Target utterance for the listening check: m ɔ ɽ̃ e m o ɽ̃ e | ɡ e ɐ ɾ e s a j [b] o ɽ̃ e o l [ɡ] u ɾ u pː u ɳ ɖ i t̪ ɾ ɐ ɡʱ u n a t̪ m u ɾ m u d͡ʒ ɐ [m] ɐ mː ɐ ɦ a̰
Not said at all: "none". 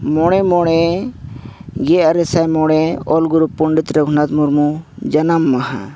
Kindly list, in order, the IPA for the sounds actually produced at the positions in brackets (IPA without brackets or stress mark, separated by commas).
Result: m, ɡ, n